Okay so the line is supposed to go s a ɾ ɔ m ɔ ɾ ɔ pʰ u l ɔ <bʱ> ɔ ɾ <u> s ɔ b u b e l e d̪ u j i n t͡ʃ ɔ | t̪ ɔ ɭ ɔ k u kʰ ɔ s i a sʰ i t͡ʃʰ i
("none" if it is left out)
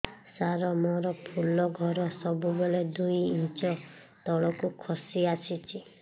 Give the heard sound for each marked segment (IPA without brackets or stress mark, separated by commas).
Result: ɡʱ, ɔ